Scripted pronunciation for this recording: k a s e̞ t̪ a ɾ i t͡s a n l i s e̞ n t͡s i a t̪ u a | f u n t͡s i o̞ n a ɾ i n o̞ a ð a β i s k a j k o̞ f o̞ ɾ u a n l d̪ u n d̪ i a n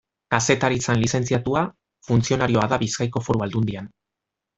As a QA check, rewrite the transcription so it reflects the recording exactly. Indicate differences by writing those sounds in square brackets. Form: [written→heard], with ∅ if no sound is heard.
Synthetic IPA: k a s e̞ t̪ a ɾ i t͡s a n l i s e̞ n t͡s i a t̪ u a | f u n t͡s i o̞ n a ɾ i [n→∅] o̞ a ð a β i s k a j k o̞ f o̞ ɾ u a [n→∅] l d̪ u n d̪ i a n